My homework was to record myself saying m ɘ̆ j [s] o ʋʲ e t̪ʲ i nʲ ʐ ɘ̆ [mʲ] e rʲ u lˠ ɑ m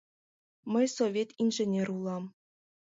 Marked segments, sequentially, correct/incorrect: correct, incorrect

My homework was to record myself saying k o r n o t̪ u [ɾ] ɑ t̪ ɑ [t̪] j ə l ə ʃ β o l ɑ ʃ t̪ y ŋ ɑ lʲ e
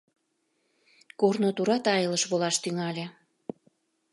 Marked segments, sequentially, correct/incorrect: correct, incorrect

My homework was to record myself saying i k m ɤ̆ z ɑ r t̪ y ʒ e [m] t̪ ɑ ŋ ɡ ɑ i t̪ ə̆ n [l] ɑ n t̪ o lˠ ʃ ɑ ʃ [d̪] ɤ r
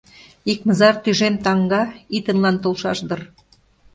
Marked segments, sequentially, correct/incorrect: correct, correct, correct

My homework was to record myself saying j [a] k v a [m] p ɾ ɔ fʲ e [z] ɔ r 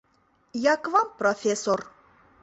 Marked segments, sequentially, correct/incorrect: correct, correct, incorrect

